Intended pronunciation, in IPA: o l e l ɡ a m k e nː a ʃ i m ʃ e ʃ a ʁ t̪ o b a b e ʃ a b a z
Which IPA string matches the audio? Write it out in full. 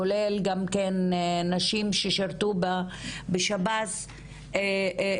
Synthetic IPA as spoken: o l e l ɡ a m k e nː a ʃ i m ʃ e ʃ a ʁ t̪ u b a b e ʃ a b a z